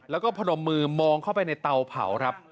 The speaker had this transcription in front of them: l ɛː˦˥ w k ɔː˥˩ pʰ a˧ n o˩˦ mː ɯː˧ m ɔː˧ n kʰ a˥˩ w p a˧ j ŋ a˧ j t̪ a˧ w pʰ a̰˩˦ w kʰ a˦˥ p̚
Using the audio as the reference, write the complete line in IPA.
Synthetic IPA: l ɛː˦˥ w k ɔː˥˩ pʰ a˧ n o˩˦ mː ɯː˧ m ɔː˧ ŋ kʰ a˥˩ w p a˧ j n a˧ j t̪ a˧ w pʰ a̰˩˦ w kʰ a˦˥ p̚